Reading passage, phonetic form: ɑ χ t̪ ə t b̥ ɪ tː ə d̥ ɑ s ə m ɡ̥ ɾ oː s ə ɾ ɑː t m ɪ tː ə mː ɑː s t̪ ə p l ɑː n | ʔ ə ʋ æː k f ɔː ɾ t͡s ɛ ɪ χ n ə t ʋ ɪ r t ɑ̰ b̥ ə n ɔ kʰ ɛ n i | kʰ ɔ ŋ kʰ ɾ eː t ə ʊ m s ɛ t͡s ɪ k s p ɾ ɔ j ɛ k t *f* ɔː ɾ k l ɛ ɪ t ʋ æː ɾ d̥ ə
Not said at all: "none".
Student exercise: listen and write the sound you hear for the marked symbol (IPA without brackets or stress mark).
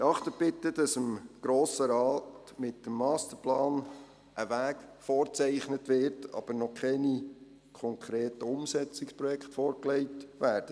f